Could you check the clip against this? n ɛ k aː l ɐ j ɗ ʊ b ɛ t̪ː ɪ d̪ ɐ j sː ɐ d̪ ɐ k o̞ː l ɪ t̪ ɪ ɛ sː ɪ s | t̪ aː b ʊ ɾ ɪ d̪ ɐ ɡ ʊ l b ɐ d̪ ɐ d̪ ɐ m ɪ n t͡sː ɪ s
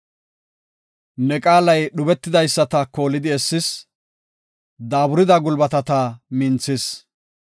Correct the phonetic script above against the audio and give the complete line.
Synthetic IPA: n ɛ kʼ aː l ɐ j ɗ ʊ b ɛ t̪ː ɪ d̪ ɐ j sː ɐ t̪ ɐ k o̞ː l ɪ d̪ ɪ ɛ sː ɪ s | d̪ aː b ʊ ɾ ɪ d̪ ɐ ɡ ʊ l b ɐ t̪ ɐ t̪ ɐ m ɪ n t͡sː ɪ s